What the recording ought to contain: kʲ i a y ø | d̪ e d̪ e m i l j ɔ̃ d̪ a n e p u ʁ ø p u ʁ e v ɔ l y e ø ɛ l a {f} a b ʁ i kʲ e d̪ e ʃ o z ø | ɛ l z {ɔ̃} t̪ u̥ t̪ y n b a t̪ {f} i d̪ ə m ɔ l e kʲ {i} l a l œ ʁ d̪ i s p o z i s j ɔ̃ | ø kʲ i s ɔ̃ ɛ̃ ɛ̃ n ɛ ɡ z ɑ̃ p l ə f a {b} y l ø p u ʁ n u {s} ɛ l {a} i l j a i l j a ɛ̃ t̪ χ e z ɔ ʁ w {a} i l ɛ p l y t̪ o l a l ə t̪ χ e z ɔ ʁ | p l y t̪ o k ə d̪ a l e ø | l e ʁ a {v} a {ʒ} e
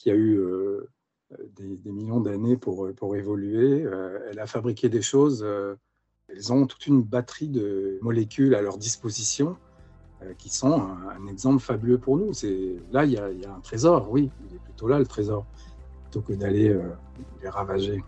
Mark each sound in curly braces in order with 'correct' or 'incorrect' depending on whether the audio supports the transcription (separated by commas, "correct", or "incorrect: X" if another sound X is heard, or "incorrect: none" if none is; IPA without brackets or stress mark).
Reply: correct, correct, incorrect: χ, incorrect: y, correct, correct, correct, incorrect: i, correct, correct